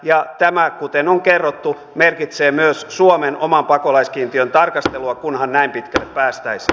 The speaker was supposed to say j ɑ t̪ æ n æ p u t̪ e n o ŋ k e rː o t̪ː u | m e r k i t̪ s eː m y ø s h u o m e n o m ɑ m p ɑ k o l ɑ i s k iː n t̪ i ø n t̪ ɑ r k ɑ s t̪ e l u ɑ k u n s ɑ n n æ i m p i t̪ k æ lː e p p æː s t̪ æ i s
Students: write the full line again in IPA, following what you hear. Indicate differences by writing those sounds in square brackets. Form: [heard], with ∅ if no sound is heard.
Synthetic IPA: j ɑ t̪ æ [m] æ [k] u t̪ e n o ŋ k e rː o t̪ː u | m e r k i t̪ s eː m y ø s [s] u o m e n o m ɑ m p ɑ k o l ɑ i s k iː n t̪ i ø n t̪ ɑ r k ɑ s t̪ e l u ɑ k u n [h] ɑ n n æ i m p i t̪ k æ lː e p p æː s t̪ æ i s